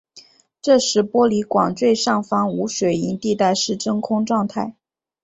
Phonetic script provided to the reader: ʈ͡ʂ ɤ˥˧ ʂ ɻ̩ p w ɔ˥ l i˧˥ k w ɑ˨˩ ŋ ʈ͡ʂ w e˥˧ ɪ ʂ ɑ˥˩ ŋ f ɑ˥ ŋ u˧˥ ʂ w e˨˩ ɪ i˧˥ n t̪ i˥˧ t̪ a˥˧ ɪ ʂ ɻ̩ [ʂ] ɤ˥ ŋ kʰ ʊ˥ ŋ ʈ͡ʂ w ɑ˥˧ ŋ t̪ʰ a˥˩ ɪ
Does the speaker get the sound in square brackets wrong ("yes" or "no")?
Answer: yes